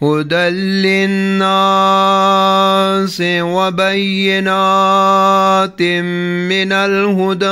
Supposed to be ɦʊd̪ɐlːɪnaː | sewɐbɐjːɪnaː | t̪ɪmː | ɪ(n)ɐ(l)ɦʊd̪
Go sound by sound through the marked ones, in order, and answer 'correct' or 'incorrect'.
correct, correct

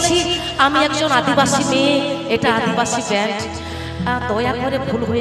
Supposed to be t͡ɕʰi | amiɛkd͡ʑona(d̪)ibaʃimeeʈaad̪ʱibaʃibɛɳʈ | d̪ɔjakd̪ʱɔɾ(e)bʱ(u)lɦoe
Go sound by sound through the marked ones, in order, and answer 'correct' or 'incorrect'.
correct, correct, correct

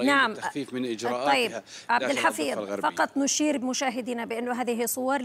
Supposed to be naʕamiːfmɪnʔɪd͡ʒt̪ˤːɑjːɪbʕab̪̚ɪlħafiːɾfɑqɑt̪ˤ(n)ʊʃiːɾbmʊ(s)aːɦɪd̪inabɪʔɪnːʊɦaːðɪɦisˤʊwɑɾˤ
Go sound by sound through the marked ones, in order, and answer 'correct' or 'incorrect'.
correct, incorrect

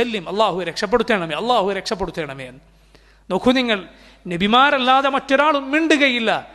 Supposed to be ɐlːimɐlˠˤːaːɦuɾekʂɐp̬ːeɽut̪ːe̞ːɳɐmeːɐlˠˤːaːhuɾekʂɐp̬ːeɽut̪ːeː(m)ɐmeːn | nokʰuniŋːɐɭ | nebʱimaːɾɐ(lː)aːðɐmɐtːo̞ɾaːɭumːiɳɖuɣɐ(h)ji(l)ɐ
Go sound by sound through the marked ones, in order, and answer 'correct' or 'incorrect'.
incorrect, correct, incorrect, incorrect

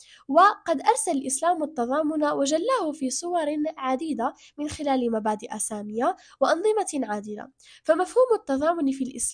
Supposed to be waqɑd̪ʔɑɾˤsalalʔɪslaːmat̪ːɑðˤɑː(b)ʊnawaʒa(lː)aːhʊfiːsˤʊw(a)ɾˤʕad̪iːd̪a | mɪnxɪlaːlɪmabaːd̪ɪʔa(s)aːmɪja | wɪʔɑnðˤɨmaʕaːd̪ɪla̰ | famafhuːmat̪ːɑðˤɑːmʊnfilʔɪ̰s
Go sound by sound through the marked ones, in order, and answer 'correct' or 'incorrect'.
incorrect, correct, incorrect, correct

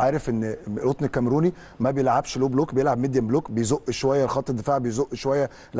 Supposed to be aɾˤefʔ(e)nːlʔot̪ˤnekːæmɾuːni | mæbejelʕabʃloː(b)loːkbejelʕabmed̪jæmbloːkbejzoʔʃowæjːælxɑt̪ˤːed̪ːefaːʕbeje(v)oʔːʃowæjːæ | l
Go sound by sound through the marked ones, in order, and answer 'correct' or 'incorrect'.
correct, correct, incorrect

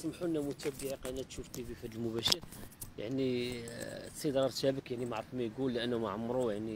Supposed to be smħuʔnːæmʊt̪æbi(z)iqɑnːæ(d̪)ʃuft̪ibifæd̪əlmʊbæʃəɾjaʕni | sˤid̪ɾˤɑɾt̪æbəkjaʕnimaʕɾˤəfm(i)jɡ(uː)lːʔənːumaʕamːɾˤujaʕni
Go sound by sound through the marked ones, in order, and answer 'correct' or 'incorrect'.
incorrect, incorrect, incorrect, incorrect

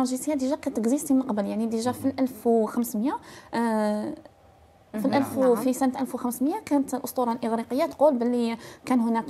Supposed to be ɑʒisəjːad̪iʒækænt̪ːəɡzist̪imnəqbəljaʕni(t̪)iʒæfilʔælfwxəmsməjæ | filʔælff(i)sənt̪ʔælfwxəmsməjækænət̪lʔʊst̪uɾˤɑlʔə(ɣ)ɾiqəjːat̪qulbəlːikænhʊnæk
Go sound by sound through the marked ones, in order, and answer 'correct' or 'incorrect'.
incorrect, correct, correct

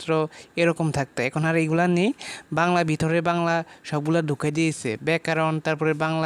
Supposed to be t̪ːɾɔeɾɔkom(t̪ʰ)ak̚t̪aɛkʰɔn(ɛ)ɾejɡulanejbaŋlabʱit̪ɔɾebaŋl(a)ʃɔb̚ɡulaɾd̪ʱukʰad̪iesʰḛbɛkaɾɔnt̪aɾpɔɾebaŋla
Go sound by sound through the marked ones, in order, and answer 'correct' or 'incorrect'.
correct, incorrect, correct

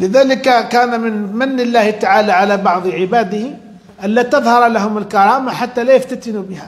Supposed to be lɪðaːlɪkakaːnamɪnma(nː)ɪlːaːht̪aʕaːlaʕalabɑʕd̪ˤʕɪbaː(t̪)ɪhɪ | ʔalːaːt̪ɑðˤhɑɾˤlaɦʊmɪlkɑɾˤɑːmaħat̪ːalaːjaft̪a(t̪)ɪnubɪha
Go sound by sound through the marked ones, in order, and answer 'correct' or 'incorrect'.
correct, incorrect, correct

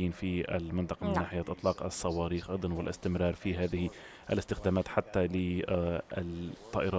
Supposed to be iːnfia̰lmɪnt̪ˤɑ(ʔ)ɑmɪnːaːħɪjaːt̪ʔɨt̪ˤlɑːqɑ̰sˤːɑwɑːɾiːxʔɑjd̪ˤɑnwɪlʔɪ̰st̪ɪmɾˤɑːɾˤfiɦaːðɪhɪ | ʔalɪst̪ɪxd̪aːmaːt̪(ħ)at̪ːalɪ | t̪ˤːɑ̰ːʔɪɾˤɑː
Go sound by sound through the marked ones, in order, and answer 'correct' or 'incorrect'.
incorrect, correct

